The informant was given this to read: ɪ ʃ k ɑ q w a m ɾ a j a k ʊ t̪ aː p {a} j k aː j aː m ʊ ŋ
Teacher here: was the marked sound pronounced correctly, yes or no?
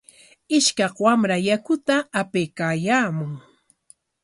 no